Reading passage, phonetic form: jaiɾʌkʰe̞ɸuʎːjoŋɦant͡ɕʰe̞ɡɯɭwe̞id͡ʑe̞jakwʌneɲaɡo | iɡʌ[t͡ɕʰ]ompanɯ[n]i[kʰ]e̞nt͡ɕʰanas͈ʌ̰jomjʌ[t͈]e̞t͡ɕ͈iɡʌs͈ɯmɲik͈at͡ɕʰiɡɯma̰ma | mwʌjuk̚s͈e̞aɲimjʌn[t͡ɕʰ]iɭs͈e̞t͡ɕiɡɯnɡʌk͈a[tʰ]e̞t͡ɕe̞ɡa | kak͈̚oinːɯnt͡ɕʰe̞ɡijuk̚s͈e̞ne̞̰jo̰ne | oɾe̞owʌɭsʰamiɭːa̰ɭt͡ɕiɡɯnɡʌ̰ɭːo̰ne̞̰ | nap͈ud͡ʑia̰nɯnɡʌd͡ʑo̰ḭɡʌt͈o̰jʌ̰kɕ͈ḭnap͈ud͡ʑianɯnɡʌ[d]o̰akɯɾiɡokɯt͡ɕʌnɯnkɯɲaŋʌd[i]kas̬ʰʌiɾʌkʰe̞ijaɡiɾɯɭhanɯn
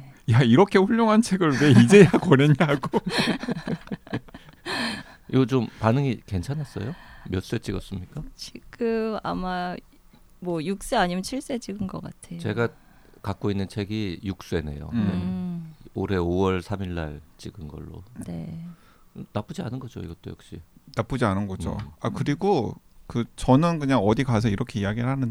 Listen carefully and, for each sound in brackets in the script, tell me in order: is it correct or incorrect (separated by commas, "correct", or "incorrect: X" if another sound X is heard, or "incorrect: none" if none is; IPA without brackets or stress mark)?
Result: incorrect: t͡ɕ, incorrect: ŋ, incorrect: k, incorrect: s͈, correct, correct, incorrect: d͡ʑ, correct